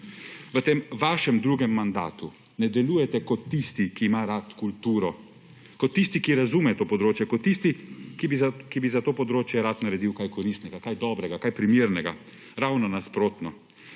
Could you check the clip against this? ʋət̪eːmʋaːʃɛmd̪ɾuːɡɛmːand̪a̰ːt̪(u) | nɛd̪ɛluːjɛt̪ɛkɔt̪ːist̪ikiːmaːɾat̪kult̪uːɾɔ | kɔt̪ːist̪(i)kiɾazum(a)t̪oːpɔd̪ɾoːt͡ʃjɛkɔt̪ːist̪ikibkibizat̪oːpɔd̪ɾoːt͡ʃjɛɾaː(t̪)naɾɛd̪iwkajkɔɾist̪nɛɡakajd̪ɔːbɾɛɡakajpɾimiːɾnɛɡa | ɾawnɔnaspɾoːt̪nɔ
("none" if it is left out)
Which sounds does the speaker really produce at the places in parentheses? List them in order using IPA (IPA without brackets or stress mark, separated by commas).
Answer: u, i, ɛ, t̪